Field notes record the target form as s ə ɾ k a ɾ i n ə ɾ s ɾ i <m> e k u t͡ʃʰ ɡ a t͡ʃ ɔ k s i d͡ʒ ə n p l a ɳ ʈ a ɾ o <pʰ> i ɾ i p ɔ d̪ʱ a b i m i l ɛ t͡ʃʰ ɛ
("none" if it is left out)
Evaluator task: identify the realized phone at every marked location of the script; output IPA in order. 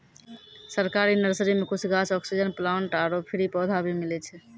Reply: m, pʰ

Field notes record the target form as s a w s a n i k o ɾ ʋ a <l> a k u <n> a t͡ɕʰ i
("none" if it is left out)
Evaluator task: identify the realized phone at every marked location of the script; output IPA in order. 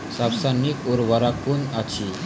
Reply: ɾ, n

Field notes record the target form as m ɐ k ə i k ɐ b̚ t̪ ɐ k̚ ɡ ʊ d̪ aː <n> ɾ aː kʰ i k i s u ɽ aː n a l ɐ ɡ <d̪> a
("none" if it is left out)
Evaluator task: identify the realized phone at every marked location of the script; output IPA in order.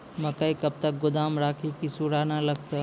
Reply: m, t̪

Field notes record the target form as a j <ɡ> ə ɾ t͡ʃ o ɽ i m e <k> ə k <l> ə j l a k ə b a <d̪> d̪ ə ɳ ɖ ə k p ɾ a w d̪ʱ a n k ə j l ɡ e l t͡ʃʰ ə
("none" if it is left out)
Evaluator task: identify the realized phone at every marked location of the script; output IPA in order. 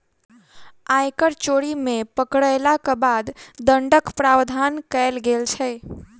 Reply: k, p, ɽ, d̪

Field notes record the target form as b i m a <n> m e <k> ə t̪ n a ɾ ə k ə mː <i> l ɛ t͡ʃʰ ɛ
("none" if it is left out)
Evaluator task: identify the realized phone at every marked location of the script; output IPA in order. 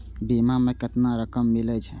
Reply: none, k, i

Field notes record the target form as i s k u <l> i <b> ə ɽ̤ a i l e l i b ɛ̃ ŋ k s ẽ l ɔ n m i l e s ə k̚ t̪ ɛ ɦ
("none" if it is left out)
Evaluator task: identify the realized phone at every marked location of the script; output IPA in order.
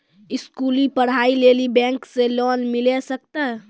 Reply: l, p

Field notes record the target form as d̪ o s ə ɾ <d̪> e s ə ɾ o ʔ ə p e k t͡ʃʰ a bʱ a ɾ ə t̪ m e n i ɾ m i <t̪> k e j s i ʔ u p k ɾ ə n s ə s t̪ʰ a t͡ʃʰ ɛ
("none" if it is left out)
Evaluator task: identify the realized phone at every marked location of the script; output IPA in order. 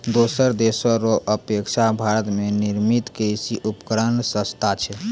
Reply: d̪, t̪

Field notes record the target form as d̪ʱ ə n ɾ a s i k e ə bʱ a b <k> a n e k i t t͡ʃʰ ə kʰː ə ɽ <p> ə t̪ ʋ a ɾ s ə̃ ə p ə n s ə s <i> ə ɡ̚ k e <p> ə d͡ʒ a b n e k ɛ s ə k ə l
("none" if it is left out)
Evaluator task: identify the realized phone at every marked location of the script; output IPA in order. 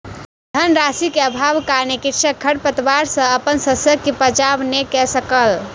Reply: k, p, j, p

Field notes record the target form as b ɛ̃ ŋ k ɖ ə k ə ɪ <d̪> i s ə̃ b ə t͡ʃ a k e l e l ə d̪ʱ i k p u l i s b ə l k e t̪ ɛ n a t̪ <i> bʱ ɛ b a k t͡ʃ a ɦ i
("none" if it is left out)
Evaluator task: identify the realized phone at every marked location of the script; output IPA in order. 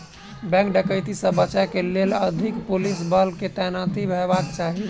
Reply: t̪, i

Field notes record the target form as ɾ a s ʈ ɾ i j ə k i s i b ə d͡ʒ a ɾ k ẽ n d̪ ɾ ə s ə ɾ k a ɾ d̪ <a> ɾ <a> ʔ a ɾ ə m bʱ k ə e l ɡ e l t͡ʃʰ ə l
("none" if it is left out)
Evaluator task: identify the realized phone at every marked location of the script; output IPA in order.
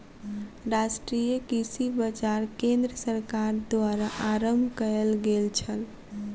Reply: a, a

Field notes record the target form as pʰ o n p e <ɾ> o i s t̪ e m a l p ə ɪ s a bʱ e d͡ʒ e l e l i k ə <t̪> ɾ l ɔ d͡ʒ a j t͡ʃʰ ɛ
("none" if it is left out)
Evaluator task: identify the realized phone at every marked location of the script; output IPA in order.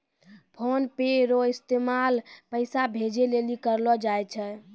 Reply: ɾ, none

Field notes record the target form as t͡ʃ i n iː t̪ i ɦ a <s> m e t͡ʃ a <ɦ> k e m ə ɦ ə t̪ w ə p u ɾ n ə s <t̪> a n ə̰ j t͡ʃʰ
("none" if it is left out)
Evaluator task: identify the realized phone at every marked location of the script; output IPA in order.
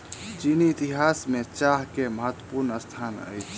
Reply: s, ɦ, t̪ʰ

